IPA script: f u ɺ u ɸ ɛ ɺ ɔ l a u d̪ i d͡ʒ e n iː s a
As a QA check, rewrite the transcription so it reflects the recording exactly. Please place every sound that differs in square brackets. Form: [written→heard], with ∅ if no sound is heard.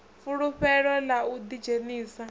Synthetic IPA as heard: f u ɺ u ɸ ɛ ɺ ɔ l a u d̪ i d͡ʒ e n iː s a

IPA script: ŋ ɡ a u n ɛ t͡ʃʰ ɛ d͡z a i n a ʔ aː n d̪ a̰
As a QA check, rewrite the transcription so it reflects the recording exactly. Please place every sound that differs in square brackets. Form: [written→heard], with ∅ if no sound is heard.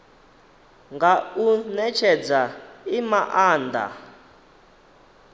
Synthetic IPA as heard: ŋ ɡ a u n ɛ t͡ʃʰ ɛ d͡z a i [n→m] a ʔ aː n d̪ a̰

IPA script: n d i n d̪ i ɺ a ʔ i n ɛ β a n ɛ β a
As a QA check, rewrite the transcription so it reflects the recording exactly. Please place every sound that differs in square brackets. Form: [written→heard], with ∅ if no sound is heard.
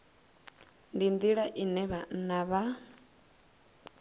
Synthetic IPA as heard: n d i n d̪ i ɺ a ʔ i n ɛ β a n [ɛ→a] β a

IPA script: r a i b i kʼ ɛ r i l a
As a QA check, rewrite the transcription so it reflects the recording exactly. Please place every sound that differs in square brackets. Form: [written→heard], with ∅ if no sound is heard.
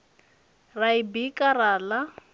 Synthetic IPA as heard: r a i b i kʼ [ɛ→a] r [i→a] l a

